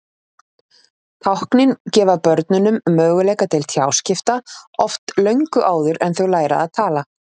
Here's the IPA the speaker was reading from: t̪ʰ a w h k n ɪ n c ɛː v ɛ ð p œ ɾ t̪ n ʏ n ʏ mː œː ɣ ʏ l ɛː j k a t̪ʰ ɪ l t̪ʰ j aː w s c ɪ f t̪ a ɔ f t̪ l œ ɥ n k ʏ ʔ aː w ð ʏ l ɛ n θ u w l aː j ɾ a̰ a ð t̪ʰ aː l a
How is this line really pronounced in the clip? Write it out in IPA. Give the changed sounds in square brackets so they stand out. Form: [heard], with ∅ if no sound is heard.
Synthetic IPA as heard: t̪ʰ a w h k n ɪ n c ɛː v [a] ð p œ ɾ t̪ n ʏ n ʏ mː œː ɣ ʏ l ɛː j k a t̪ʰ ɪ l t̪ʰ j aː w s c ɪ f t̪ a ɔ f t̪ l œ ɥ [ŋ] k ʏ ʔ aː w ð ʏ [ɾ] ɛ n θ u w l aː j ɾ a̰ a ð t̪ʰ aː l a